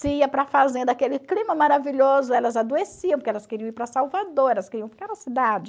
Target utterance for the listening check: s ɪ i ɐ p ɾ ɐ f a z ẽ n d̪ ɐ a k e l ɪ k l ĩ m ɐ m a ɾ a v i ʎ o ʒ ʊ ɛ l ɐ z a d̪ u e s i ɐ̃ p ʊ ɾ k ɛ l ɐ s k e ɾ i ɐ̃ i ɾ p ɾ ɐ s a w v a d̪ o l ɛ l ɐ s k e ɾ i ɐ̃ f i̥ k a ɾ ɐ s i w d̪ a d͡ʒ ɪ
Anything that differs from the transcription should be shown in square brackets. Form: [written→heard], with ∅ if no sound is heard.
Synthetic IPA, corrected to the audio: s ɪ i ɐ p ɾ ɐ f a z ẽ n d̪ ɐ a k e l ɪ k l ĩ m ɐ m a ɾ a v i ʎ o [ʒ→z] ʊ ɛ l ɐ z a d̪ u e s i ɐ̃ p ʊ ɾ k ɛ l ɐ s k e ɾ i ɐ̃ i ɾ p ɾ ɐ s a w v a d̪ o [l→ɾ] ɛ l ɐ s k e ɾ i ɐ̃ f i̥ k a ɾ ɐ s i [w→∅] d̪ a d͡ʒ ɪ